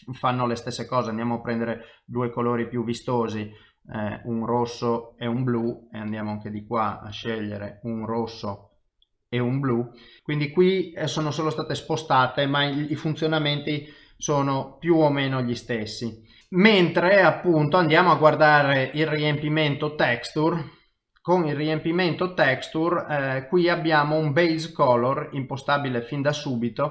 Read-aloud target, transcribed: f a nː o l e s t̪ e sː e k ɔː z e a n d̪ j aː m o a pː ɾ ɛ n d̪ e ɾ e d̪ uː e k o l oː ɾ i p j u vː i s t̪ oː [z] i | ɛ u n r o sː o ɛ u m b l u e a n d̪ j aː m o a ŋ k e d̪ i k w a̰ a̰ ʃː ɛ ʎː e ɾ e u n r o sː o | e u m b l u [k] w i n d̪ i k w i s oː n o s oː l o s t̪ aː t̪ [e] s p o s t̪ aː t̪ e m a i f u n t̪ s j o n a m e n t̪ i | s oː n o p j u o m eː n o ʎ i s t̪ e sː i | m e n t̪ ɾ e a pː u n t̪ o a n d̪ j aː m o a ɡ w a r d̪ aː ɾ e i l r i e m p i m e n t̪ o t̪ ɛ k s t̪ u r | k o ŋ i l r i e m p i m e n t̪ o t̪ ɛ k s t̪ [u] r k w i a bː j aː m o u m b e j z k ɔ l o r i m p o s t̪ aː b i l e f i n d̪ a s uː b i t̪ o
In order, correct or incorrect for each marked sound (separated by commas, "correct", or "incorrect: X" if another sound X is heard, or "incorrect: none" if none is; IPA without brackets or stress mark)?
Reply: correct, correct, correct, correct